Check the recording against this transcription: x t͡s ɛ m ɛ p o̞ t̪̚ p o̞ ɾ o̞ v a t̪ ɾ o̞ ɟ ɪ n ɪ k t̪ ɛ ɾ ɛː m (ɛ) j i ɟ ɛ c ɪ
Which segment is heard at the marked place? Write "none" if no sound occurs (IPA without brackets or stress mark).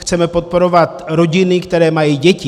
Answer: a